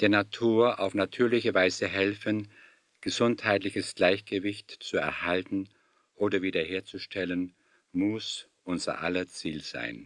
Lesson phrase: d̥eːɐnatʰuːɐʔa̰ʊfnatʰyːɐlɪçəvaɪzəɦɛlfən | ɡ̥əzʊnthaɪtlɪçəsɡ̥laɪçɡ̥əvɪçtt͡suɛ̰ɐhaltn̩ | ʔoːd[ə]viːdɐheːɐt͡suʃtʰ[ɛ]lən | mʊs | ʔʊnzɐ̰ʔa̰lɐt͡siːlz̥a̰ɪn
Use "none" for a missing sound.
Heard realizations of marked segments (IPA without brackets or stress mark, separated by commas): ɐ, ɛ